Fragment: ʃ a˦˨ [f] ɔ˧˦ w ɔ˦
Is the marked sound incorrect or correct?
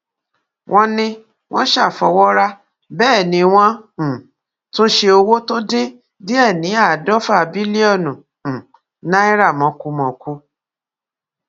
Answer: correct